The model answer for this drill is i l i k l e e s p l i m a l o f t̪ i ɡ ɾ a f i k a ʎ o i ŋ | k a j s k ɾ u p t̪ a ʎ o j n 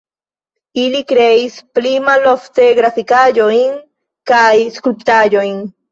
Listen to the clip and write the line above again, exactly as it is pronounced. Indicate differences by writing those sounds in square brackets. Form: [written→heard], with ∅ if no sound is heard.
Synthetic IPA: i l i k [l→ɾ] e [e→i] s p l i m a l o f t̪ [i→e] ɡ ɾ a f i k a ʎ o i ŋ | k a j s k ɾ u p t̪ a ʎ o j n

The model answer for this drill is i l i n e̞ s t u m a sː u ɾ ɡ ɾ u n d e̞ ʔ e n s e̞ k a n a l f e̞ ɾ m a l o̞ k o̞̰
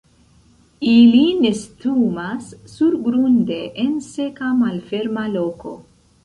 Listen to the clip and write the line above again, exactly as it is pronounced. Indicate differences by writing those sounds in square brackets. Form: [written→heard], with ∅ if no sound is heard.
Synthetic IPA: i l i n e̞ s t u m a sː u ɾ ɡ ɾ u n d e̞ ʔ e n s e̞ k a [n→m] a l f e̞ ɾ m a l o̞ k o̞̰

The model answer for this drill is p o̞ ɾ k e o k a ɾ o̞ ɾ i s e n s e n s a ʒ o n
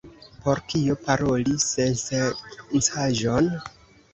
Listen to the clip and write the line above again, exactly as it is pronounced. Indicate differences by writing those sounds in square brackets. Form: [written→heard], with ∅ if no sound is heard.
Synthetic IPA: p o̞ ɾ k [e→i] o [k→p] a ɾ o̞ [ɾ→l] i s e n s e n s a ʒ o n

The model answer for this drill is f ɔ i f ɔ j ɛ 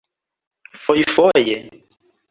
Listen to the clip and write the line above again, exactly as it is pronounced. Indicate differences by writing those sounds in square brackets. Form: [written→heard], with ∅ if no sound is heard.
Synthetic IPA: f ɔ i f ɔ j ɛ

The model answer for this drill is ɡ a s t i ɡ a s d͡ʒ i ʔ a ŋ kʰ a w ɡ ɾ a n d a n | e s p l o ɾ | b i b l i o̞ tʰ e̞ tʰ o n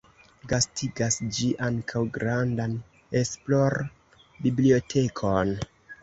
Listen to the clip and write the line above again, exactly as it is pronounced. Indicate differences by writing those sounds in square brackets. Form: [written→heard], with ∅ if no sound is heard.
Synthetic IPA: ɡ a s t i ɡ a s d͡ʒ i ʔ a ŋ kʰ a w ɡ ɾ a n d a n | e s p l o ɾ | b i b l i o̞ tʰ e̞ [tʰ→kʰ] o n

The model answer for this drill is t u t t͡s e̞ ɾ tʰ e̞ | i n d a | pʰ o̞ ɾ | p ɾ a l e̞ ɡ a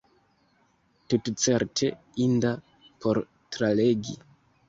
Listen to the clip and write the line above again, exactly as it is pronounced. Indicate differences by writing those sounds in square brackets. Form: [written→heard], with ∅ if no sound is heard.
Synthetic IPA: t u t t͡s e̞ ɾ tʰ e̞ | i n d a | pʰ o̞ ɾ | [p→t] ɾ a l e̞ ɡ [a→i]

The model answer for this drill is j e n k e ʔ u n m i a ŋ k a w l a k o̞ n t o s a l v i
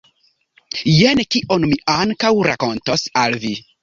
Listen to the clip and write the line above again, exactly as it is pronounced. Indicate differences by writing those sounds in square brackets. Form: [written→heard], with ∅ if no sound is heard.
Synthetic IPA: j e n k [e→i] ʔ [u→o] n m i a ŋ k a w [l→ɾ] a k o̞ n t o s a l v i

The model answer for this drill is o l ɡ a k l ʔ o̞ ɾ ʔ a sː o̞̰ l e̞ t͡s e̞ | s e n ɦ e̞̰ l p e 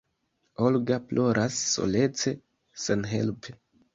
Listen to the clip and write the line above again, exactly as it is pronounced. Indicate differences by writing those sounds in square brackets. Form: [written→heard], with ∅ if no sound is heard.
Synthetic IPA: o l ɡ a [k→p] l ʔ o̞ ɾ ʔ a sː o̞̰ l e̞ t͡s e̞ | s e n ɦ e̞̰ l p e

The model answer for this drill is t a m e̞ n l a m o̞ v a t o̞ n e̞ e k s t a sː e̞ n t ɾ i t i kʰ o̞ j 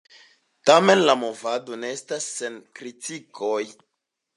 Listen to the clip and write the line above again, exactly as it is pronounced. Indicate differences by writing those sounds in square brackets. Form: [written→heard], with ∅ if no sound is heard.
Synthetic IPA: t a m e̞ n l a m o̞ v a [t→d] o̞ n e̞ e [k→∅] s t a sː e̞ n [t→k] ɾ i t i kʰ o̞ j

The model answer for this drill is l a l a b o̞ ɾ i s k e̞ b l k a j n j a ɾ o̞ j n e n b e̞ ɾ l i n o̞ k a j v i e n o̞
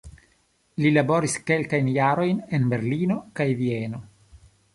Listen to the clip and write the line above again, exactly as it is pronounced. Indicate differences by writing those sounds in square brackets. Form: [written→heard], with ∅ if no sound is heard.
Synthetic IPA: l [a→i] l a b o̞ ɾ i s k e̞ [b→∅] l k a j n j a ɾ o̞ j n e n b e̞ ɾ l i n o̞ k a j v i e n o̞

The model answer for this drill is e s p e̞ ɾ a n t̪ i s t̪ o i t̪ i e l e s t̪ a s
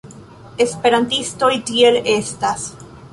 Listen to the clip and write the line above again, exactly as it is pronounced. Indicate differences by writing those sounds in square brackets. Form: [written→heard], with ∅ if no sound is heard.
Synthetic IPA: e s p e̞ ɾ a n t̪ i s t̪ o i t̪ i e l e s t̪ a s

